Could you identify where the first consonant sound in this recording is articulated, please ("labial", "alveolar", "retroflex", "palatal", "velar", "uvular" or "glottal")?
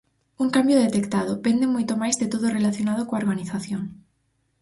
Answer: velar